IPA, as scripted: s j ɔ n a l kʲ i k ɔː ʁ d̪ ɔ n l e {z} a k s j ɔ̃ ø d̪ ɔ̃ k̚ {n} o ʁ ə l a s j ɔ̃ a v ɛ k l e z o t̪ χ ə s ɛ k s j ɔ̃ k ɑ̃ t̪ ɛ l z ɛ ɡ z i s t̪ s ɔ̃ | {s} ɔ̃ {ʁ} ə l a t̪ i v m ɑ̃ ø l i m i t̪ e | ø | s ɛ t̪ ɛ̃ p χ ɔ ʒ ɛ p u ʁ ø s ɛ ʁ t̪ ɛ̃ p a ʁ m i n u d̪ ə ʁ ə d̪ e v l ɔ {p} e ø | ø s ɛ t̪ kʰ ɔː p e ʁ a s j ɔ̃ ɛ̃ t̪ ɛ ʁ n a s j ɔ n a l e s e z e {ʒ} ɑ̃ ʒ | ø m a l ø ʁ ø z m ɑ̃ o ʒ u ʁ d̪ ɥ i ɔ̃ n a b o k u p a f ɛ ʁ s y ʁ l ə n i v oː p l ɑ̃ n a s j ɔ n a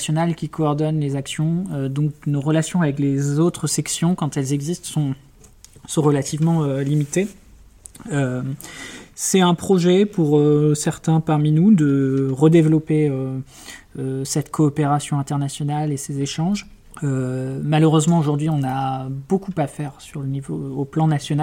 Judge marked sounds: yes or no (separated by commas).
yes, yes, yes, yes, yes, no